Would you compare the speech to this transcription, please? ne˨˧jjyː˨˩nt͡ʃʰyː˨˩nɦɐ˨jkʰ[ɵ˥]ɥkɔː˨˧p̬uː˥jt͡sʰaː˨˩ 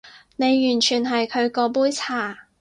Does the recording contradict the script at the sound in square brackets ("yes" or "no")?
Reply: yes